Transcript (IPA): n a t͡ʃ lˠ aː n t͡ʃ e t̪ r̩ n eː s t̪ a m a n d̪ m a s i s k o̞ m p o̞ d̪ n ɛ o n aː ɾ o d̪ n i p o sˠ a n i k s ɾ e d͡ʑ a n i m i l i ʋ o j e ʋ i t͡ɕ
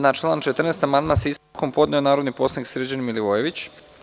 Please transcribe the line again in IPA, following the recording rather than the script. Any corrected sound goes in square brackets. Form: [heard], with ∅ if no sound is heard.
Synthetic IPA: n a t͡ʃ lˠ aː n t͡ʃ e t̪ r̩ n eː s t̪ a m a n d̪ m a s i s k o̞ m p o̞ d̪ n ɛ o n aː ɾ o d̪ n i p o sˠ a n i k s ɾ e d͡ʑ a n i m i l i ʋ o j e ʋ i t͡ɕ